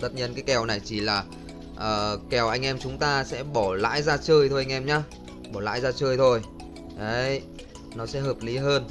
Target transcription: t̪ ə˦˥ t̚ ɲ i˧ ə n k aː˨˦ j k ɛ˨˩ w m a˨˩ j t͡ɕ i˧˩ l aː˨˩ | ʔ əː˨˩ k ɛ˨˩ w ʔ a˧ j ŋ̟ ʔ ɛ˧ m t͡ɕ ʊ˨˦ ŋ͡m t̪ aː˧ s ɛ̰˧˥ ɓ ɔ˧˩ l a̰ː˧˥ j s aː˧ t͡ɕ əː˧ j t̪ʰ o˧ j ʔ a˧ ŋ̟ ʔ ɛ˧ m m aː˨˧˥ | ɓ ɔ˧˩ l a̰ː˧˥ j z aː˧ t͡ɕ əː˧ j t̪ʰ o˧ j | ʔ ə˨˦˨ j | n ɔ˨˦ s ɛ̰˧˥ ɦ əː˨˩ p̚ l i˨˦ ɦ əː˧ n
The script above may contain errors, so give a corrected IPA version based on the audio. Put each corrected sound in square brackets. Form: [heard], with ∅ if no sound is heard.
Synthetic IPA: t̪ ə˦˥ t̚ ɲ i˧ ə n k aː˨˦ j k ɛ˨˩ w [n] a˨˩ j t͡ɕ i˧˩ l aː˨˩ | ʔ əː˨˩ k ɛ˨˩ w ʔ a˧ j ŋ̟ ʔ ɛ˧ m t͡ɕ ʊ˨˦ ŋ͡m t̪ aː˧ s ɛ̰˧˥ ɓ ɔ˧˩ l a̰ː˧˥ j [z] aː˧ t͡ɕ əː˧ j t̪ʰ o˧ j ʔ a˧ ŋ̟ ʔ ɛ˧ m [ɲ] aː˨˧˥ | ɓ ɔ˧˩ l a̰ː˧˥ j z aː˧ t͡ɕ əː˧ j t̪ʰ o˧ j | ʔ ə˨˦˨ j | n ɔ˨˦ s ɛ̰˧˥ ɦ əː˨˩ p̚ l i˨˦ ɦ əː˧ n